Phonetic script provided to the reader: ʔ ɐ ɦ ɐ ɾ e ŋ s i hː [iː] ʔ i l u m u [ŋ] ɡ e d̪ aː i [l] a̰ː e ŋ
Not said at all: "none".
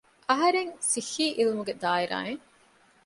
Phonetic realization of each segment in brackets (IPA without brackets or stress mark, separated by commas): iː, none, ɾ